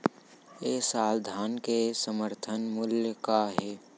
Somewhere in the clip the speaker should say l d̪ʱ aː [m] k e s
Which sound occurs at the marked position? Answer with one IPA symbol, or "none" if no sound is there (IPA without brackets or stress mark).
n